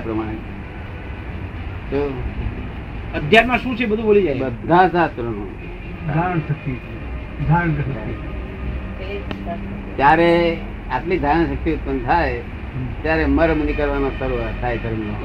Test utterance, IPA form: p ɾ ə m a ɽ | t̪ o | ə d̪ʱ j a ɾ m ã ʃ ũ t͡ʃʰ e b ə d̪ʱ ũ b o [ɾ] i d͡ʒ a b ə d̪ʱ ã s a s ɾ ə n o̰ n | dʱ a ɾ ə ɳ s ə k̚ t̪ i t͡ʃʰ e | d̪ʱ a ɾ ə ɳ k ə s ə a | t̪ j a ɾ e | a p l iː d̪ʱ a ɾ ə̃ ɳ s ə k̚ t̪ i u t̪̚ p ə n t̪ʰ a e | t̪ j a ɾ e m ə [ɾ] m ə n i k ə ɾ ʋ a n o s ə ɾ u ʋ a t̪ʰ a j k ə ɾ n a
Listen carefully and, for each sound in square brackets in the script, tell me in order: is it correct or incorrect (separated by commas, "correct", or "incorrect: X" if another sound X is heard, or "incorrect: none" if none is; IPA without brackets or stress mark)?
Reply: incorrect: l, correct